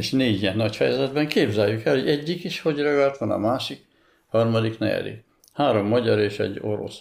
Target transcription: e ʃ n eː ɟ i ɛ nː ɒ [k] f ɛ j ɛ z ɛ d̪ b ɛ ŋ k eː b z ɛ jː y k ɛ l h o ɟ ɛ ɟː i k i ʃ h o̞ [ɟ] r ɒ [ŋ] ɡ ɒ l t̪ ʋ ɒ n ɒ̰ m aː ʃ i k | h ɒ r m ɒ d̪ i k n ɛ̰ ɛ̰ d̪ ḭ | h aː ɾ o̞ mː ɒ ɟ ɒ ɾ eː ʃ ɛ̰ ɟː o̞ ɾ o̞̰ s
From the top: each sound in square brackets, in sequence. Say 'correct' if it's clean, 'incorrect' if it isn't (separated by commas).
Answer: incorrect, correct, incorrect